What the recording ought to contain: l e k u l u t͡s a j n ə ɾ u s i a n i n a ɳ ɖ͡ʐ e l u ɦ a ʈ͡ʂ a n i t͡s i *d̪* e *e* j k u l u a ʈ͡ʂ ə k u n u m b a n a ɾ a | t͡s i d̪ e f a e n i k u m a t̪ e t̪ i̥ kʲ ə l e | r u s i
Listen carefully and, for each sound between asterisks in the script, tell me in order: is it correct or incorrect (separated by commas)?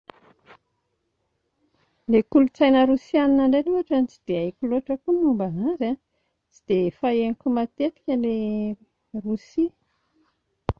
correct, incorrect